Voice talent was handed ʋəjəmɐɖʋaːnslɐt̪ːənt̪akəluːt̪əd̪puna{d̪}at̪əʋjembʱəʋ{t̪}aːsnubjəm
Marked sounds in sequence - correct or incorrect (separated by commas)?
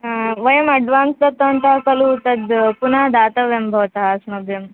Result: correct, correct